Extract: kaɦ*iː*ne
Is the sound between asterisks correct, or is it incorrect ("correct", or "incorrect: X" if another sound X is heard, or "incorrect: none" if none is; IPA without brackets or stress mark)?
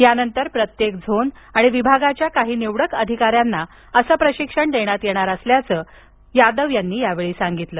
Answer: correct